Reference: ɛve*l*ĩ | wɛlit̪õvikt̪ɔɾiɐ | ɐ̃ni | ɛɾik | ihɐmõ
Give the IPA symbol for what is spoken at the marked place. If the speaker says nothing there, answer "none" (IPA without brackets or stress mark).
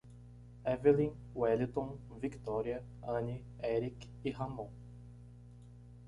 l